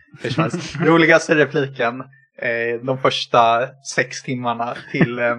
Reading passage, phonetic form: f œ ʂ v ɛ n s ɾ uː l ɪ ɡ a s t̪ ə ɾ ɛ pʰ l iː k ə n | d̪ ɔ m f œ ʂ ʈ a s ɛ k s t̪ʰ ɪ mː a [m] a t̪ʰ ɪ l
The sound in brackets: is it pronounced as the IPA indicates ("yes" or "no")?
no